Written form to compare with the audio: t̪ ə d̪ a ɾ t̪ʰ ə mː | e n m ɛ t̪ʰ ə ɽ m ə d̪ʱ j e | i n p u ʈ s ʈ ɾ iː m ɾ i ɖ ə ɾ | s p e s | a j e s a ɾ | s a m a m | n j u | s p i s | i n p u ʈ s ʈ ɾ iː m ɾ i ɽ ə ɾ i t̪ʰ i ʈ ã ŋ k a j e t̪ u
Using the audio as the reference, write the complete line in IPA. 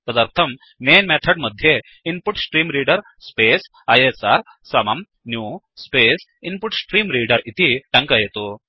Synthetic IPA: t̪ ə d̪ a ɾ t̪ʰ ə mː | e n m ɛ t̪ʰ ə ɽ m ə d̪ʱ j e | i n p u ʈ s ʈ ɾ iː m ɾ i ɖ ə ɾ | s p e s | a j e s a ɾ | s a m a m | n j u | s p e s | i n p u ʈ s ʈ ɾ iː m ɾ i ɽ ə ɾ i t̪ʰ i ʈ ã ŋ k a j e t̪ o